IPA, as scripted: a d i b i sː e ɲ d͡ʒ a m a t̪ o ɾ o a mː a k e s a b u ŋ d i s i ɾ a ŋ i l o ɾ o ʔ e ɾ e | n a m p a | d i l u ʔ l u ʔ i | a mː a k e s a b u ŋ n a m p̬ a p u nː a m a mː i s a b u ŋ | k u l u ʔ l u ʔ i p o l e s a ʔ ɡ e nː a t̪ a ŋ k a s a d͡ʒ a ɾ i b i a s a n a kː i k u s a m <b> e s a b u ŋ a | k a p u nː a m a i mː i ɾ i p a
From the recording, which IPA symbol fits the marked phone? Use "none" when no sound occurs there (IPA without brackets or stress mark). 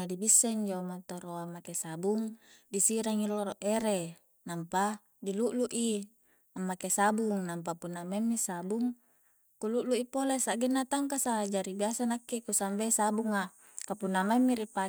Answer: b